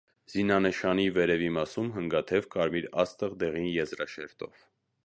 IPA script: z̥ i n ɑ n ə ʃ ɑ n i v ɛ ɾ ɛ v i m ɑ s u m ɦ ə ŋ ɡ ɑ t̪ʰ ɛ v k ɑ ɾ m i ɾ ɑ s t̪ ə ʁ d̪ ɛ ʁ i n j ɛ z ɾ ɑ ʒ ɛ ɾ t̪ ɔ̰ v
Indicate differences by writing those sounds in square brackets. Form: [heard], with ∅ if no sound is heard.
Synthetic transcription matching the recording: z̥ i n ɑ n ə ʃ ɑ n i v ɛ ɾ ɛ v i m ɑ s u m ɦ ə ŋ ɡ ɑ t̪ʰ ɛ v k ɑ ɾ m i ɾ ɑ s t̪ ə ʁ d̪ ɛ ʁ i n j ɛ z ɾ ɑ [ʃ] ɛ ɾ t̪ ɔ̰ v